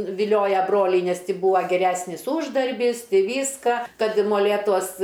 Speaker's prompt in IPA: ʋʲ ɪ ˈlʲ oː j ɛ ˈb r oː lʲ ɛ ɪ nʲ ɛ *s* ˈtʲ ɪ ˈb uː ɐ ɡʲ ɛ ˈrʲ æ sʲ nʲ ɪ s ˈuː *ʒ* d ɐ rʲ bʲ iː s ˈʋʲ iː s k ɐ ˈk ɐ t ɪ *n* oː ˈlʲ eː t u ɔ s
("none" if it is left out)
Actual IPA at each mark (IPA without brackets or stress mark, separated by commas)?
s, ʒ, m